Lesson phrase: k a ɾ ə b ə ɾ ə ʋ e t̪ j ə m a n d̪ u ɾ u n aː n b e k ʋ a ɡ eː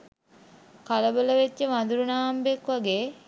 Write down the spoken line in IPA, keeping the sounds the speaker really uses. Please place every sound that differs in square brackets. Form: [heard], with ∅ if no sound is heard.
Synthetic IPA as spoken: k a [l] ə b ə [l] ə ʋ e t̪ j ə m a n d̪ u ɾ u n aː [m] b e k ʋ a ɡ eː